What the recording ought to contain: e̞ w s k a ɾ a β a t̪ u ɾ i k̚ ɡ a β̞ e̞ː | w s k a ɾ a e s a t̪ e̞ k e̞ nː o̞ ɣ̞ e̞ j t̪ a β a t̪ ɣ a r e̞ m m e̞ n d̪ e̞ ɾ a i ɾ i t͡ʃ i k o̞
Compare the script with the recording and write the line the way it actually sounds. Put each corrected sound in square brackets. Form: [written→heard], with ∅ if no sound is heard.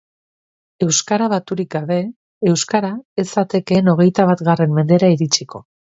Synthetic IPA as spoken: e̞ w s k a ɾ a β a t̪ u ɾ i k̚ ɡ a β̞ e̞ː | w s k a ɾ a e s a t̪ e̞ k e̞ [nː→n] o̞ ɣ̞ e̞ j t̪ a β a t̪ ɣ a r e̞ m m e̞ n d̪ e̞ ɾ a i ɾ i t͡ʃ i k o̞